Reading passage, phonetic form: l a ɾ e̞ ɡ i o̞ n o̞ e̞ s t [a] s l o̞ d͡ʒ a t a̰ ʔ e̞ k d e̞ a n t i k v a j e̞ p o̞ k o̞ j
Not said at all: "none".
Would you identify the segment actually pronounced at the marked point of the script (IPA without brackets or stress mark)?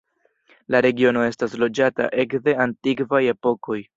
a